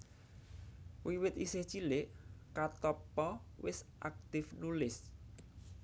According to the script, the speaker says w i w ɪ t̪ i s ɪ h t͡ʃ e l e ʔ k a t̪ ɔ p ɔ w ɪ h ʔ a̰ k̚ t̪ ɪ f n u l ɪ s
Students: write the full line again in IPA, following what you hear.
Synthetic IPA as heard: w i w ɪ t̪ i s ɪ h t͡ʃ i l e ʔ k a t̪ ɔ p ɔ w ɪ s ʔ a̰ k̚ t̪ ɪ f n u l ɪ s